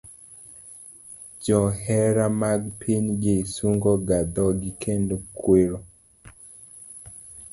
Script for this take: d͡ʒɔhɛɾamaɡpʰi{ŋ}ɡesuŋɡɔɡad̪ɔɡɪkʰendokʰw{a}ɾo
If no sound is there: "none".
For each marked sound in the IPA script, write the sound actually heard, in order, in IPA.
ɲ, e

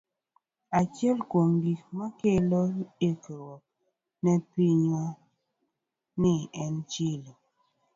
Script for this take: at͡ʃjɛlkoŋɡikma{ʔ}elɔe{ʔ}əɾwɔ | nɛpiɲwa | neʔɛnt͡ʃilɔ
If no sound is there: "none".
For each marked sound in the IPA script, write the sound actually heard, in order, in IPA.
k, k

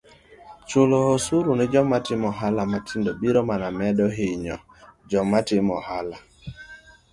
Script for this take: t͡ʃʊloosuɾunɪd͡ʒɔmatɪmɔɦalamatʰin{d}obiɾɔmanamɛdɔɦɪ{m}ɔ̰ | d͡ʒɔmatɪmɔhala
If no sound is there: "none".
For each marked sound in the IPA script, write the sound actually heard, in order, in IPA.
d, ɲ

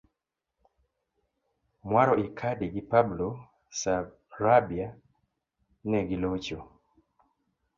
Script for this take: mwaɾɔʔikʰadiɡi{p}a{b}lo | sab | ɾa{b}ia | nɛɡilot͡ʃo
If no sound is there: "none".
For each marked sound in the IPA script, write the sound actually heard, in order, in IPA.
p, b, b

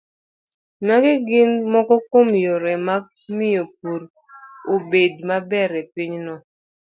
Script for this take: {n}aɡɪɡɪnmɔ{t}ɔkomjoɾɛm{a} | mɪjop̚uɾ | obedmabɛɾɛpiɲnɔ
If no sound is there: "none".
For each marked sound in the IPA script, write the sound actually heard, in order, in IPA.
n, k, a

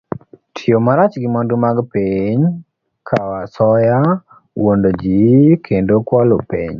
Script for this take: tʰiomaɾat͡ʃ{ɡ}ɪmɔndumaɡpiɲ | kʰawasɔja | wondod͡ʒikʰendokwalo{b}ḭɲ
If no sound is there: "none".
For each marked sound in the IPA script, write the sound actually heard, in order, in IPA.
ɡ, p

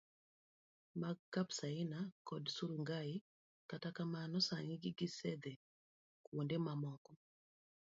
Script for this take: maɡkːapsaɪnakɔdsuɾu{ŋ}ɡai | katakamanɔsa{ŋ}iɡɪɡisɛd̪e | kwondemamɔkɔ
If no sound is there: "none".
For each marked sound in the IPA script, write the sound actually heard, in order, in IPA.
ŋ, ŋ

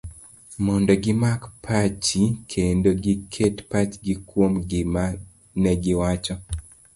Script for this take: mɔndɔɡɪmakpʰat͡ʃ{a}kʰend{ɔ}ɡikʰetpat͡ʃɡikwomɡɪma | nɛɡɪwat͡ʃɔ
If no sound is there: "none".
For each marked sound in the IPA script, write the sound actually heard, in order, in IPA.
i, o

